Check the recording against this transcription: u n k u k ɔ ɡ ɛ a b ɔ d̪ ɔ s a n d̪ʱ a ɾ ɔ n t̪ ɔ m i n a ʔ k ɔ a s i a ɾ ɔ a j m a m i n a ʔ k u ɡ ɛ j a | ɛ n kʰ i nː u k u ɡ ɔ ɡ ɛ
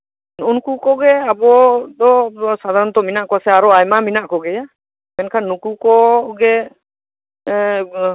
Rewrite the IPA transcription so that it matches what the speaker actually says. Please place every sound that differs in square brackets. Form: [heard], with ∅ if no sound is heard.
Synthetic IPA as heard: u n k u k ɔ ɡ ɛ a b ɔ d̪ ɔ s a [∅] d̪ʱ a ɾ ɔ n t̪ ɔ m i n a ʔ k ɔ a s [ɛ] a ɾ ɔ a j m a m i n a ʔ k [ɔ] ɡ ɛ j a | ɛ n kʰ [a] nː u k u [k] ɔ ɡ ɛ